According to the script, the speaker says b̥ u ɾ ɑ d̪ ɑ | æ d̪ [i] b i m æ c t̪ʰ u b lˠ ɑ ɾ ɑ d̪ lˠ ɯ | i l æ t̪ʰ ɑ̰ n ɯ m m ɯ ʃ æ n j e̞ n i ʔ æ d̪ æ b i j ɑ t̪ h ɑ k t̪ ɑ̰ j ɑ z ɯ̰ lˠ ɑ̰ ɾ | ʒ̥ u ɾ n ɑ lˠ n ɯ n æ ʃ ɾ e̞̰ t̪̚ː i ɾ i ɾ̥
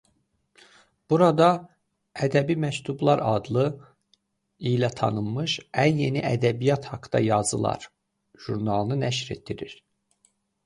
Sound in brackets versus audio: incorrect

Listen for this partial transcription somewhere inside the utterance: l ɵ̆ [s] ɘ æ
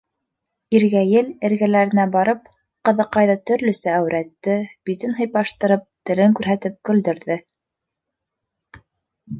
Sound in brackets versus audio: correct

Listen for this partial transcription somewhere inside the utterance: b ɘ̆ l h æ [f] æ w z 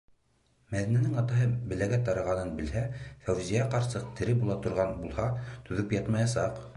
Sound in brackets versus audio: correct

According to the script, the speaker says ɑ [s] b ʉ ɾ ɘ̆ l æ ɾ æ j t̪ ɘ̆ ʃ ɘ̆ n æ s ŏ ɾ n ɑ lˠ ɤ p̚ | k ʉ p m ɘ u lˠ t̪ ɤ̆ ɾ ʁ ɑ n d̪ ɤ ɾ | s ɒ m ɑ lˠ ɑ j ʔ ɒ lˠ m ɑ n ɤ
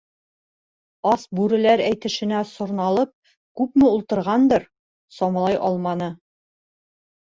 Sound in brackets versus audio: correct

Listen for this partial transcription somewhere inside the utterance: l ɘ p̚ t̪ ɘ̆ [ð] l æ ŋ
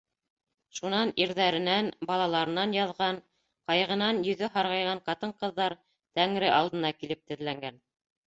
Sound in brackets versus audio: correct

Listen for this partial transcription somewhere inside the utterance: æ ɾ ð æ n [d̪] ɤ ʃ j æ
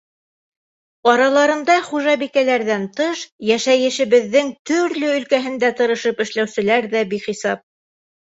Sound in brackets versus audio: incorrect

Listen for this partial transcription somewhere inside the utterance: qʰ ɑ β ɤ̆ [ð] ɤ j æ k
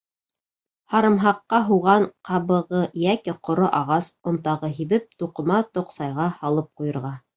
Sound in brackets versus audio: incorrect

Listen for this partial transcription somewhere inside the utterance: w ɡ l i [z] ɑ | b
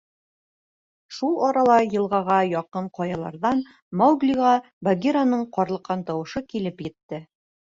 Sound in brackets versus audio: incorrect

